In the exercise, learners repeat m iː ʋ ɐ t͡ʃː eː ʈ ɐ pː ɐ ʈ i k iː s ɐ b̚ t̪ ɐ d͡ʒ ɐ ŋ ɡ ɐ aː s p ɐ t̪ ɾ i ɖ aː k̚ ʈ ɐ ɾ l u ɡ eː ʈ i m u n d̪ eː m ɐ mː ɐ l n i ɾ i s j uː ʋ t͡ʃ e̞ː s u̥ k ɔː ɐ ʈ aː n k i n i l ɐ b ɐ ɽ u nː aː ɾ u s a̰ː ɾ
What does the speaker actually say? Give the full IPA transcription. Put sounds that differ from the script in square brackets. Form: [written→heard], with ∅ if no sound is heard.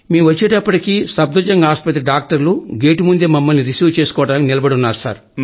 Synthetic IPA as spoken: m iː ʋ ɐ t͡ʃː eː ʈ ɐ pː ɐ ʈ i k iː s ɐ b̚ [t̪→d̪] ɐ d͡ʒ ɐ ŋ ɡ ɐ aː s p ɐ t̪ ɾ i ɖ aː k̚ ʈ ɐ ɾ l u ɡ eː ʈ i m u n d̪ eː m ɐ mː ɐ l n i ɾ i s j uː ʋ t͡ʃ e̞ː s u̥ k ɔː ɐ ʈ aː n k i n i l ɐ b ɐ ɽ u nː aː ɾ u s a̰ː ɾ